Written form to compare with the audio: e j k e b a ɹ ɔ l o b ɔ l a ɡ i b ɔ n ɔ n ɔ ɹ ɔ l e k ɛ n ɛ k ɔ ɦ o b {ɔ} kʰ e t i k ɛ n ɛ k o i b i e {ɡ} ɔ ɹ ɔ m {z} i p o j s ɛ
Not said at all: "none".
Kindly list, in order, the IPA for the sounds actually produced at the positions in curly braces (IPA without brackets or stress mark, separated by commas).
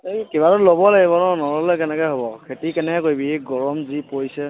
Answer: ɔ, ɡ, z